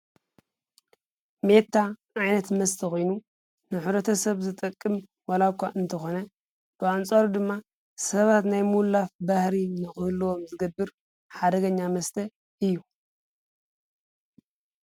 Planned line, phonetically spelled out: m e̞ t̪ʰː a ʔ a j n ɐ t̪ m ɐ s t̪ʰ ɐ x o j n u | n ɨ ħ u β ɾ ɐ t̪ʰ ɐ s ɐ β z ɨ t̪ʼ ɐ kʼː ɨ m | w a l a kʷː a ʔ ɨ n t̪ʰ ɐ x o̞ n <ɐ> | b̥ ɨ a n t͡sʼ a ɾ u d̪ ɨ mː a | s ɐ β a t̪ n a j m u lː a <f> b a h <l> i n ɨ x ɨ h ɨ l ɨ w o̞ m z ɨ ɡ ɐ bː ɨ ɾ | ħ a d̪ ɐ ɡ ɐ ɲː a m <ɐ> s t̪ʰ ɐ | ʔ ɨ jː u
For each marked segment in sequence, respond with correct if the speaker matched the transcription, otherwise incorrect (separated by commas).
correct, correct, incorrect, correct